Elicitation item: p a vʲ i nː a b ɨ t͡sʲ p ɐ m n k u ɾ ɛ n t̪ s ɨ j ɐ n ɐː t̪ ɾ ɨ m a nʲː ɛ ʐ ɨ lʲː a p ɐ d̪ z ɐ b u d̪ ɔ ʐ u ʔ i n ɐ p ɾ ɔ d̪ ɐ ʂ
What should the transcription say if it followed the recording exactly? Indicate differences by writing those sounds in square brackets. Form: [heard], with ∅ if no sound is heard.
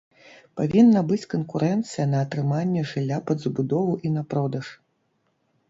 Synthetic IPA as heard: p a vʲ i nː [ɐ] b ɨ t͡sʲ [k] ɐ [∅] n k u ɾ ɛ n t̪ s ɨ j ɐ n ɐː t̪ ɾ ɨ m a nʲː ɛ ʐ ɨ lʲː a p ɐ d̪ z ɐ b u d̪ ɔ [v] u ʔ i n ɐ p ɾ ɔ d̪ ɐ ʂ